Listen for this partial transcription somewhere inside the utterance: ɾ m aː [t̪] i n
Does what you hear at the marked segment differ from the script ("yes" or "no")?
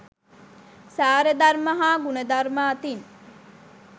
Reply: no